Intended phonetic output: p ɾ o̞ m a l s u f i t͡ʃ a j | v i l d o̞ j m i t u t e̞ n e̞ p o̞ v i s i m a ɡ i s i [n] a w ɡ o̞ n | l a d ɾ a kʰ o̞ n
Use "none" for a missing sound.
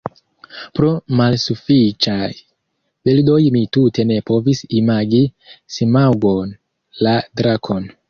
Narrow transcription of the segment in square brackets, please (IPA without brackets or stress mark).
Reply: m